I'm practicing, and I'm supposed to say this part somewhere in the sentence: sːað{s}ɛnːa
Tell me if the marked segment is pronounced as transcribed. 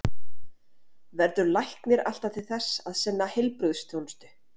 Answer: yes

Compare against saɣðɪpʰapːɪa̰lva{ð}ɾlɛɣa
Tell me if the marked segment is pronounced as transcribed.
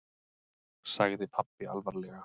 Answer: no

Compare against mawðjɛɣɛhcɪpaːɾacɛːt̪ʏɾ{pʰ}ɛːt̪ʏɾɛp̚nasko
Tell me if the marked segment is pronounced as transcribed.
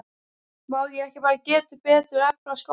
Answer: no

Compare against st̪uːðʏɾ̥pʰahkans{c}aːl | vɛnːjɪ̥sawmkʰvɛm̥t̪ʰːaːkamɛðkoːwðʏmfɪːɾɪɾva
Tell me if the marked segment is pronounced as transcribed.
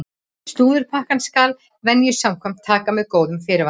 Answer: no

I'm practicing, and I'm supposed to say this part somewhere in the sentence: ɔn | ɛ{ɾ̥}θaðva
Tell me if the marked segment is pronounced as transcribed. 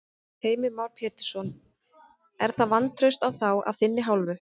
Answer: yes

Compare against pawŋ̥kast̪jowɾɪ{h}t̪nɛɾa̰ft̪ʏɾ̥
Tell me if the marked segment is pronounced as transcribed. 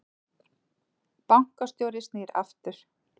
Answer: no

